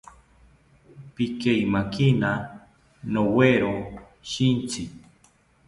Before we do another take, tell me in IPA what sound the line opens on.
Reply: p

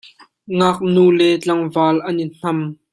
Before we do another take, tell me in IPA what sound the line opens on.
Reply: ŋ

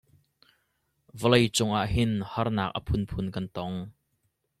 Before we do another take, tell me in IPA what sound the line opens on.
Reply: v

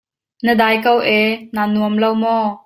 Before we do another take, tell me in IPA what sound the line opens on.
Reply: n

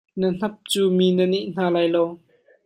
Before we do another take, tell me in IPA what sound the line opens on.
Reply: n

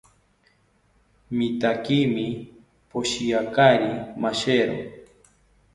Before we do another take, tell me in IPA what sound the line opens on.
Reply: m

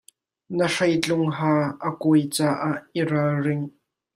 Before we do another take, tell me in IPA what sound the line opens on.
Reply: n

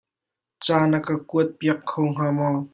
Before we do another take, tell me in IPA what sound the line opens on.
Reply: t͡s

